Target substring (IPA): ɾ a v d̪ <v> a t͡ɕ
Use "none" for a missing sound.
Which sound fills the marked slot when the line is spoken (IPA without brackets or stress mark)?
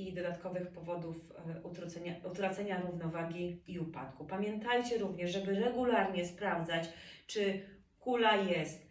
z